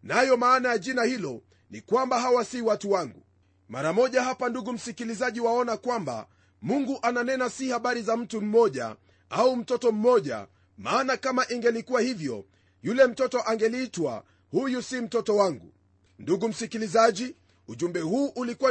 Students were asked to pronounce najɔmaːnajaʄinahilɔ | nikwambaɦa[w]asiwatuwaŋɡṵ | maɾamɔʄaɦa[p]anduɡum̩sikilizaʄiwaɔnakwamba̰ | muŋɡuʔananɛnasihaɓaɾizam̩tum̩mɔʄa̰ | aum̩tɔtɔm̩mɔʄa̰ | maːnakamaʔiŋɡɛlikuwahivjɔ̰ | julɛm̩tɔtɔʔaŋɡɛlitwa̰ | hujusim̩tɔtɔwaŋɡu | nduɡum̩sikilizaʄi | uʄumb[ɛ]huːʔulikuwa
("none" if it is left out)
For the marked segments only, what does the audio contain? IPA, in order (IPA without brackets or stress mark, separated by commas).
w, p, ɛ